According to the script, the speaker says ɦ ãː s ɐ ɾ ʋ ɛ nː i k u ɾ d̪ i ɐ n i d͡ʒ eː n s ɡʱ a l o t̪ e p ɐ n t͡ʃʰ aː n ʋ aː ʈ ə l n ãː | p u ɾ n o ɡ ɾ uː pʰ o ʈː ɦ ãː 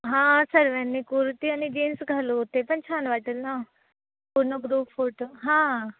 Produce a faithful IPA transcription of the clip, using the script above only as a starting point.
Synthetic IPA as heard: ɦ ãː s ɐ ɾ ʋ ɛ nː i k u ɾ t̪ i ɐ n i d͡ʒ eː n s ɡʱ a l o t̪ e p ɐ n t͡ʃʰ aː n ʋ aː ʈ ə l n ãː | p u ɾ n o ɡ ɾ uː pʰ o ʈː ɦ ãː